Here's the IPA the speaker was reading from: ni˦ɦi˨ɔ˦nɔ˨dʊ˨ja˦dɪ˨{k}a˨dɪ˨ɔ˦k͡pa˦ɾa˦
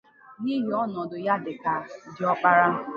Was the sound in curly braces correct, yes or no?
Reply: yes